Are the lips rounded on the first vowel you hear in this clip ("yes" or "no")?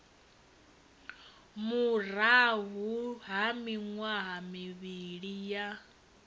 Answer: yes